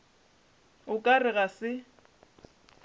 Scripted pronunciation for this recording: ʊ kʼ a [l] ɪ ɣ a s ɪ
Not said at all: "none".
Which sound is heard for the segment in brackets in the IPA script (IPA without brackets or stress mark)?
r